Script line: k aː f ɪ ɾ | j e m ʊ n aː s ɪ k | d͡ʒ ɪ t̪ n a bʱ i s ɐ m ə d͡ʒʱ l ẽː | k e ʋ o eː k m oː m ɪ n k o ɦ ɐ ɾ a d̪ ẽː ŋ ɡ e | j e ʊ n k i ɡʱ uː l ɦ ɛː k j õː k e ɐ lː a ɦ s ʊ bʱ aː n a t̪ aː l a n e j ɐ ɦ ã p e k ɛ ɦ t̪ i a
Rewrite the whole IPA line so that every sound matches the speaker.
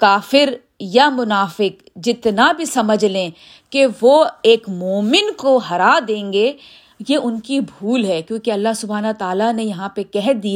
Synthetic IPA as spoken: k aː f ɪ ɾ | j a m ʊ n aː f ɪ k | d͡ʒ ɪ t̪ n a bʱ i s ɐ m ə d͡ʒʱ l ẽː | k e ʋ o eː k m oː m ɪ n k o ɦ ɐ ɾ a d̪ ẽː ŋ ɡ e | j e ʊ n k i bʱ uː l ɦ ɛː k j õː k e ɐ lː a ɦ s ʊ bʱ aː n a t̪ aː l a n e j ɐ ɦ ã p e k ɛ ɦ d̪ i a